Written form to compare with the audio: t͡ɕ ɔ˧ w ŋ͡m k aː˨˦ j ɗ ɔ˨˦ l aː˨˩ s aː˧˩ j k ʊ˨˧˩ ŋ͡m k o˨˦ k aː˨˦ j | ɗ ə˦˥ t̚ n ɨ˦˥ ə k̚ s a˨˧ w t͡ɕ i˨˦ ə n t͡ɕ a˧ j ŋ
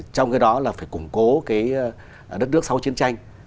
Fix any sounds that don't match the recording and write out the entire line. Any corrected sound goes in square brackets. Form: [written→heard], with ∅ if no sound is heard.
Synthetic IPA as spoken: t͡ɕ ɔ˧ w ŋ͡m k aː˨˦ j ɗ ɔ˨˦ l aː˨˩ [s→f] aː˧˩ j k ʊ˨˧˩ ŋ͡m k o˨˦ k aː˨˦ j | ɗ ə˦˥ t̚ n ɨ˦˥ ə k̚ s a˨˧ w t͡ɕ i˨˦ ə n t͡ɕ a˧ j ŋ